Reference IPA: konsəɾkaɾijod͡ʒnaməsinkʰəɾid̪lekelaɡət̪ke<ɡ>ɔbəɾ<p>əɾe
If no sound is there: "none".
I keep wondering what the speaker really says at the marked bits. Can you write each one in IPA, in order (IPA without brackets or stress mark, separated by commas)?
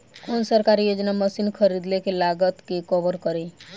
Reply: k, k